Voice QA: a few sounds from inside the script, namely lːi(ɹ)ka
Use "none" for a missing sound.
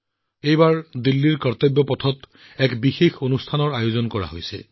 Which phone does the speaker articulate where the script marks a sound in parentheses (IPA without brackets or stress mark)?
ɹ